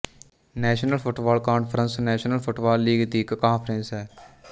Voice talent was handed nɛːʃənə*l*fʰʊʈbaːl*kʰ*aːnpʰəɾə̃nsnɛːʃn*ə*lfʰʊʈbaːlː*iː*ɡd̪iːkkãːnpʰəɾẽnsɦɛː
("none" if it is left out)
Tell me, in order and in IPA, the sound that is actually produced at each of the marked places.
l, k, ə, iː

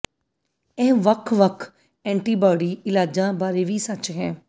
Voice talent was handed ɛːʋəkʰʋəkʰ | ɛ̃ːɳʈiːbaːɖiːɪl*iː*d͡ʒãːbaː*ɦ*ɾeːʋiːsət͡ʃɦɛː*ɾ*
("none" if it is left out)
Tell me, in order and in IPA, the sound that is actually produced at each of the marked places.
aː, none, none

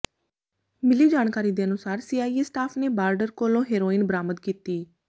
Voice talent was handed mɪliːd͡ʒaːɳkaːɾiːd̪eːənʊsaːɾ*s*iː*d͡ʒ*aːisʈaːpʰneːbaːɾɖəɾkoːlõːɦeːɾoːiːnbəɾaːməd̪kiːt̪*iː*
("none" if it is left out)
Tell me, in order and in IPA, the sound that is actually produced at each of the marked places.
s, none, iː

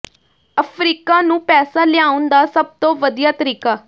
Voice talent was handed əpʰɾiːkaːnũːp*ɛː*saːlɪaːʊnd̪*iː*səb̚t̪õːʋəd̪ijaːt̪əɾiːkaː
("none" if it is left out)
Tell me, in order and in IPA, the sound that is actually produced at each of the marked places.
ɛː, aː

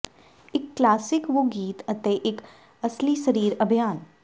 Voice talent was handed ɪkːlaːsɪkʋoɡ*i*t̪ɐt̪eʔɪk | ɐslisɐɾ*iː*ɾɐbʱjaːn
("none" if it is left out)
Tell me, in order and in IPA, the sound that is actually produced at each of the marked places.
iː, iː

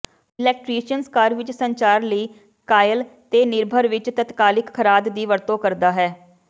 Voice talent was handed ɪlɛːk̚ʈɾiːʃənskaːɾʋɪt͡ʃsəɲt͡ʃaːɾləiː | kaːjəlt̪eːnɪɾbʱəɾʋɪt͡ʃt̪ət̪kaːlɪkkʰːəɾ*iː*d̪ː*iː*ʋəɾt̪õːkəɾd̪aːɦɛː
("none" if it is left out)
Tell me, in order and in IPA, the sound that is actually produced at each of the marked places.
aː, iː

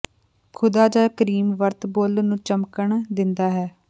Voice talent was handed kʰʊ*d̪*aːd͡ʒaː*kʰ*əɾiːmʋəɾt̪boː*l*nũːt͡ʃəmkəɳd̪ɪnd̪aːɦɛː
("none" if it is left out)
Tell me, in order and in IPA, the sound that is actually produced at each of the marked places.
d̪, k, l

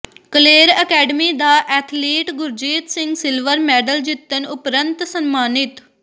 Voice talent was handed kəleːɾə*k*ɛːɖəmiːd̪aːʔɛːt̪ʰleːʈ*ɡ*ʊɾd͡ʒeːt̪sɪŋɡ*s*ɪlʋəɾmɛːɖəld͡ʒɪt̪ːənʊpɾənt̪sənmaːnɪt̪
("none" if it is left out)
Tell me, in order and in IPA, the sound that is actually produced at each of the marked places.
k, ɡ, s

